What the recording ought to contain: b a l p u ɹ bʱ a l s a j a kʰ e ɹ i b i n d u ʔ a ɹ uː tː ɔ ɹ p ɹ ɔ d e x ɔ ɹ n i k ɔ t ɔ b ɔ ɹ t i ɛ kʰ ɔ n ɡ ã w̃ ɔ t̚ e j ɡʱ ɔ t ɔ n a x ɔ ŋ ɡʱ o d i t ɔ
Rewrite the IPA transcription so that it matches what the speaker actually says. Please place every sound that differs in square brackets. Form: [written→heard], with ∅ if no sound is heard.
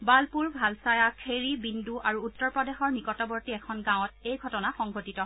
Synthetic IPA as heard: b a l p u ɹ bʱ a l s a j a kʰ e ɹ i b i n d u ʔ a ɹ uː tː ɔ ɹ p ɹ ɔ d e x ɔ ɹ n i k ɔ t ɔ b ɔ ɹ t i ɛ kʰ ɔ n ɡ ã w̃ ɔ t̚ e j ɡʱ ɔ t ɔ n a x ɔ ŋ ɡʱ o [d→t] i t ɔ